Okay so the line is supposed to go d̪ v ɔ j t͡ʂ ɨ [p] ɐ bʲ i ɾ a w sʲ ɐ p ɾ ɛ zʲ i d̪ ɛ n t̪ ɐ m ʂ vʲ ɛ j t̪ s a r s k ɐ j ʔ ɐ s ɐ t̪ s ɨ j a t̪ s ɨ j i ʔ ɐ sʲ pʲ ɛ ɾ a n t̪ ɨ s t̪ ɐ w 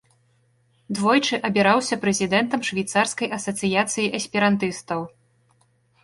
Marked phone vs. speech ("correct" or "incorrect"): incorrect